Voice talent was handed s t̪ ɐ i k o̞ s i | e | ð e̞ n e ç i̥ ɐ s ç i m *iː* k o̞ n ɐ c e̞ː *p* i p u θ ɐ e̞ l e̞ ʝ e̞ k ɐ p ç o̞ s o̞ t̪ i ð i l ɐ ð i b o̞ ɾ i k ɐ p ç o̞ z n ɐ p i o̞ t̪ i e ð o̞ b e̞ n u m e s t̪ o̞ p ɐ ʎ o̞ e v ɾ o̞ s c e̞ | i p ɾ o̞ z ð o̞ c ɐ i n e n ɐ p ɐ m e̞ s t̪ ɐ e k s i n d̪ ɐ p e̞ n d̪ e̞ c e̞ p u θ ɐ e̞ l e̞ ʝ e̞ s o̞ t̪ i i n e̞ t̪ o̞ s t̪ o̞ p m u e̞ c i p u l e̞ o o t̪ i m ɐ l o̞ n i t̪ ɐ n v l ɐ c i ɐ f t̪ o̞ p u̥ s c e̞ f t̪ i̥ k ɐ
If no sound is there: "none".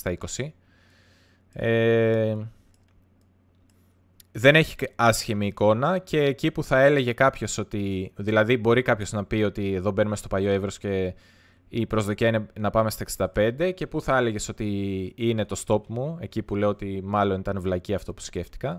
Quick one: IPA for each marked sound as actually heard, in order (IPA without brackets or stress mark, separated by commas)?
iː, c